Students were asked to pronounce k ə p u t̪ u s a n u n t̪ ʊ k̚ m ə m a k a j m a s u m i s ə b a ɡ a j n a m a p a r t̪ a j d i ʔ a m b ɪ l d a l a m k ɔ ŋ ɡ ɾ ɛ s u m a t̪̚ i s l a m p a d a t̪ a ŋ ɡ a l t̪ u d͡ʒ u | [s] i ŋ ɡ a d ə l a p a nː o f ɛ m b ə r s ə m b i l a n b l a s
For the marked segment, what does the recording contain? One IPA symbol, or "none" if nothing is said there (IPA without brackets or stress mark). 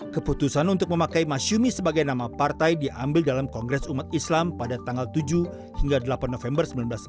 h